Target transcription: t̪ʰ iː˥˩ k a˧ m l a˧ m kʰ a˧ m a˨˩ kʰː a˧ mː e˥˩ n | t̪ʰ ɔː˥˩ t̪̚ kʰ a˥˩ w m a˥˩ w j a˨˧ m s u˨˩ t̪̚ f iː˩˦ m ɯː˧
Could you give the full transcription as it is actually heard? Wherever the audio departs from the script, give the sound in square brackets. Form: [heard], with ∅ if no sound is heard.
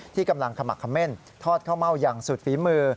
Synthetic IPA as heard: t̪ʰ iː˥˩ k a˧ m l a˧ [ŋ] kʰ a˧ m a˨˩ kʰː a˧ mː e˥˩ n | t̪ʰ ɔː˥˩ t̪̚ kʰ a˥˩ w m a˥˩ w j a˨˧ [ŋ] s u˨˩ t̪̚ f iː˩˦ m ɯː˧